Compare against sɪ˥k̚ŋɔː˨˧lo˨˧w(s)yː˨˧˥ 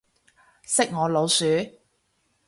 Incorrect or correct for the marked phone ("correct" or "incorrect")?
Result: correct